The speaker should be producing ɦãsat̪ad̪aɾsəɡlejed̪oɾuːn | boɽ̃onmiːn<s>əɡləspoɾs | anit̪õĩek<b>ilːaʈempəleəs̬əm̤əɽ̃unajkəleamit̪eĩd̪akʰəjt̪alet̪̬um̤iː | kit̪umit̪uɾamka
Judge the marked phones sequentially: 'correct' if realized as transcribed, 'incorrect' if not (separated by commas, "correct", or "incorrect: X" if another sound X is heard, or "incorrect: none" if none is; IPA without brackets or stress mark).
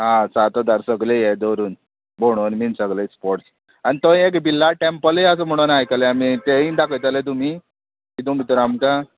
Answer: correct, correct